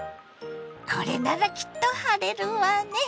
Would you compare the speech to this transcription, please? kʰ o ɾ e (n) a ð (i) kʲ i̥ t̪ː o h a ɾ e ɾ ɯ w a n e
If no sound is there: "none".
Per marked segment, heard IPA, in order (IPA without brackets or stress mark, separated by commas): n, a